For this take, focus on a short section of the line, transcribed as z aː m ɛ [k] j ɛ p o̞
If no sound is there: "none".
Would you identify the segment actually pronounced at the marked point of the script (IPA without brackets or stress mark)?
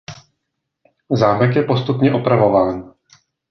k